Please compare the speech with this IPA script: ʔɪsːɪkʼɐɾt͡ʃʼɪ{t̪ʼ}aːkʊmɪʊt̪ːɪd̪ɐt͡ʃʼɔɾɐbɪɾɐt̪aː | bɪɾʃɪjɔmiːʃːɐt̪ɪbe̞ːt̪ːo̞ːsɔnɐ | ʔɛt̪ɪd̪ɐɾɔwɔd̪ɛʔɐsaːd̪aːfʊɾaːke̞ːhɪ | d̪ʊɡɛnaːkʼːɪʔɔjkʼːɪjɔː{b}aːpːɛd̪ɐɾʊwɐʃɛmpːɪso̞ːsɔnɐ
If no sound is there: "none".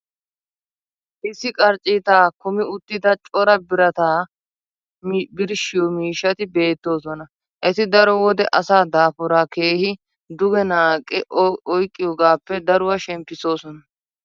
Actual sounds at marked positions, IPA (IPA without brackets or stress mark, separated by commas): t̪, ɡ